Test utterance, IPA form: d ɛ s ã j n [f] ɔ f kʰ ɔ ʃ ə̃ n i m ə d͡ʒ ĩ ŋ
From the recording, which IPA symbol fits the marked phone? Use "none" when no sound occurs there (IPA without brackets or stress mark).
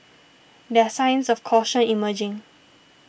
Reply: s